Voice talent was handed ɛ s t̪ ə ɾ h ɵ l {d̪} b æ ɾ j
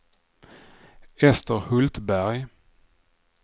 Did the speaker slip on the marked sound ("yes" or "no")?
yes